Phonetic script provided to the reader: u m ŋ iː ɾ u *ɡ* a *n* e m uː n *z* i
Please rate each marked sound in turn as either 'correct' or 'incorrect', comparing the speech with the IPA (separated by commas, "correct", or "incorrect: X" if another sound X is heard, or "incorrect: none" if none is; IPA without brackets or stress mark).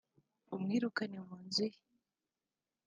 incorrect: k, correct, correct